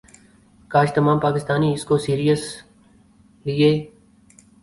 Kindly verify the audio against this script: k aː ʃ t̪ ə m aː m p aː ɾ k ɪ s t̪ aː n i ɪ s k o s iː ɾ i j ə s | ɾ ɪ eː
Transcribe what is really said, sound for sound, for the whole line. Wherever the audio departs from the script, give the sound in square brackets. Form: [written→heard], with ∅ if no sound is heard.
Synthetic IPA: k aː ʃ t̪ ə m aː m p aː [ɾ→∅] k ɪ s t̪ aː n i ɪ s k o s iː ɾ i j ə s | [ɾ→l] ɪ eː